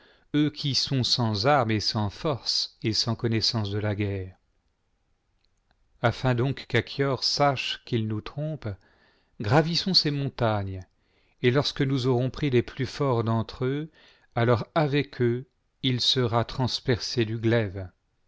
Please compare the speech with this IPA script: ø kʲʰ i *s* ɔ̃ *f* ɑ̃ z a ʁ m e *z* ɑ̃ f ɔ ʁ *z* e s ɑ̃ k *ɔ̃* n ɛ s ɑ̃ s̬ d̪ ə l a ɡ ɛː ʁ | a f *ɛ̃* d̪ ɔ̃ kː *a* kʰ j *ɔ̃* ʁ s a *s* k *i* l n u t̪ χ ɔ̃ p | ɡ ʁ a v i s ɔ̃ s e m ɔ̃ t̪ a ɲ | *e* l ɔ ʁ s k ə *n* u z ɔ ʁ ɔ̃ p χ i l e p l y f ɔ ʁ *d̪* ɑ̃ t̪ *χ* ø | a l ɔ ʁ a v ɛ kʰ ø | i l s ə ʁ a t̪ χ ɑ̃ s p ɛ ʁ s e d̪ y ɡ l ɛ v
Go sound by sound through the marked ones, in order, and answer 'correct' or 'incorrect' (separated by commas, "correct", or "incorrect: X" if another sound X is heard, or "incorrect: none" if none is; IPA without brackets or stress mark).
correct, incorrect: s, incorrect: s, incorrect: s, incorrect: ɔ, correct, correct, incorrect: ɔ, incorrect: ʃ, correct, correct, correct, correct, correct